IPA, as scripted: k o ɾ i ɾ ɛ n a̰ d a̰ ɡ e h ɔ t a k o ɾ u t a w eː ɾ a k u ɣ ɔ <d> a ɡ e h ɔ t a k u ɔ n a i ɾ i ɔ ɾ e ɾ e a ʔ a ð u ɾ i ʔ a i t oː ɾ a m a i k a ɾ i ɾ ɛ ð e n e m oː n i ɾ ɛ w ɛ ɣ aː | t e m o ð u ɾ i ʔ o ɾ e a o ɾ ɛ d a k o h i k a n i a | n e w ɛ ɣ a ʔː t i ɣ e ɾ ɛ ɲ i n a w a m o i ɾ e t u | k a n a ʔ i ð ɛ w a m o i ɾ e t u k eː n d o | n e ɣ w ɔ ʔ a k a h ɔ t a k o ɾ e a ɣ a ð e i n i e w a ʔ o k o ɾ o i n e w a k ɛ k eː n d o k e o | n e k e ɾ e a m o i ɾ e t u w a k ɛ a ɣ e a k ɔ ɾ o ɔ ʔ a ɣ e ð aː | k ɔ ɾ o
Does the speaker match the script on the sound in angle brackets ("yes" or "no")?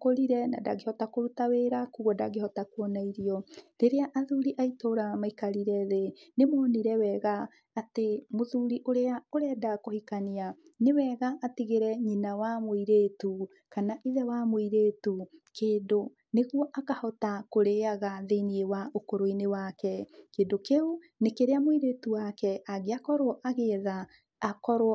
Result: yes